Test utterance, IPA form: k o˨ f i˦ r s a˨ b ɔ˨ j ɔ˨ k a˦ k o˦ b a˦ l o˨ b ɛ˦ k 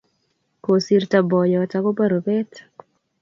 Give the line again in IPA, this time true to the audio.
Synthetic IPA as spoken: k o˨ s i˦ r t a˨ b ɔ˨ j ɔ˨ t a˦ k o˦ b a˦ ɾ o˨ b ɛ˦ t